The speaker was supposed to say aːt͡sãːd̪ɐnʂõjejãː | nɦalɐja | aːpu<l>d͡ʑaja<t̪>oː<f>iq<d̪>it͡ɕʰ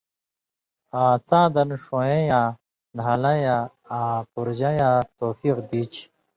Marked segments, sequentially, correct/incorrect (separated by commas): incorrect, correct, correct, correct